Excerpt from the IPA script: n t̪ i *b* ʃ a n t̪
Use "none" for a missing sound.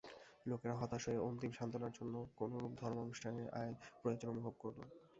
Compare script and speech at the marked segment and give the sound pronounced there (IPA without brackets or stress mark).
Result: m